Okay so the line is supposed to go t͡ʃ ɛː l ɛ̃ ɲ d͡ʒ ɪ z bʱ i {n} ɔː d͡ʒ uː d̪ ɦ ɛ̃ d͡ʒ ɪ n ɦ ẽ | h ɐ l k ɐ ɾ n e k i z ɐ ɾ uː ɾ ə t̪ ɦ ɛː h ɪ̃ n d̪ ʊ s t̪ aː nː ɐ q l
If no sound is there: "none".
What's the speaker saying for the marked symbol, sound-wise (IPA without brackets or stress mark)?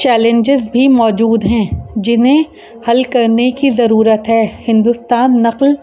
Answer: m